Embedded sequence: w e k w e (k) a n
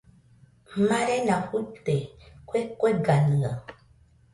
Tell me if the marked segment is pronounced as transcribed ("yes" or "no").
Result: no